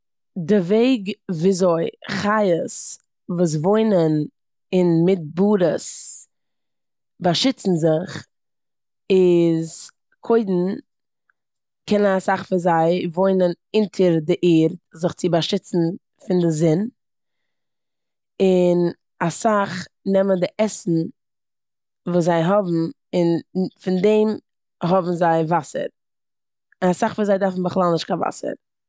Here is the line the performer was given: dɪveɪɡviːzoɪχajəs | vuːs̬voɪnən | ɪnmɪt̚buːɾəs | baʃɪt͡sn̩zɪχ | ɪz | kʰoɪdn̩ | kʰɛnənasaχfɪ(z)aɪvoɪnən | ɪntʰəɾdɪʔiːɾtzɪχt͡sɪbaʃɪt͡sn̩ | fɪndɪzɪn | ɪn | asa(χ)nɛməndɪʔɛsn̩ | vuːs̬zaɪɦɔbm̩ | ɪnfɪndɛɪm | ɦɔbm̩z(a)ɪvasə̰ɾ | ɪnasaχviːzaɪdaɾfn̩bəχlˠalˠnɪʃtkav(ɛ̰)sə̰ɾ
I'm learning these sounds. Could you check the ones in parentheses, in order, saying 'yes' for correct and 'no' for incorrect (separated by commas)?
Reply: yes, yes, yes, no